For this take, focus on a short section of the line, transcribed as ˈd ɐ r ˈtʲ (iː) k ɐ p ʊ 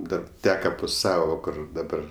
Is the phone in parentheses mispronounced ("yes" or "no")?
yes